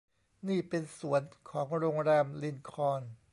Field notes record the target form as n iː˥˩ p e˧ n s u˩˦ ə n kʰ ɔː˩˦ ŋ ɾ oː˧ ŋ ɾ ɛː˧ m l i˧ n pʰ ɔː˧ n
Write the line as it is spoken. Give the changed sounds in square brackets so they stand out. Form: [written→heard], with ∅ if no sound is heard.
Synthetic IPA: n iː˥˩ p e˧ n s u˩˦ ə n kʰ ɔː˩˦ ŋ ɾ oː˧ ŋ ɾ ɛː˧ m l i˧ n [pʰ→kʰ] ɔː˧ n